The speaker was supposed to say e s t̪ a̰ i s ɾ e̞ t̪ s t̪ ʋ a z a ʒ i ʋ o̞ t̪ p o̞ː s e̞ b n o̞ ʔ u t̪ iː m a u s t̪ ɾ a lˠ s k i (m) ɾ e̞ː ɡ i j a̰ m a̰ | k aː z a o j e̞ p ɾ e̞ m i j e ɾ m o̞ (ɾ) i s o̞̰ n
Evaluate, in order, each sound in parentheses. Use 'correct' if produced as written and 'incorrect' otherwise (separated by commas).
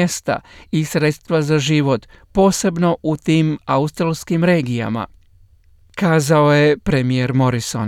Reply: correct, correct